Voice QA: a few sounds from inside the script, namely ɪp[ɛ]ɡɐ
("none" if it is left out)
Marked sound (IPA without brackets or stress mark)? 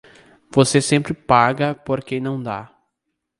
a